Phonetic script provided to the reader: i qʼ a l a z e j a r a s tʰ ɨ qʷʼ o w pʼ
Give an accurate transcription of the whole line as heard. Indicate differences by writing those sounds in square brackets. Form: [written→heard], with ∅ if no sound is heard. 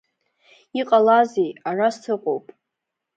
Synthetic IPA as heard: i qʼ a l a z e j a r a s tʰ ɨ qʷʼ o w pʼ